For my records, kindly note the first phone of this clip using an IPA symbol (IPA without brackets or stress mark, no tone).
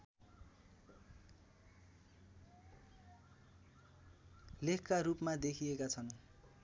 l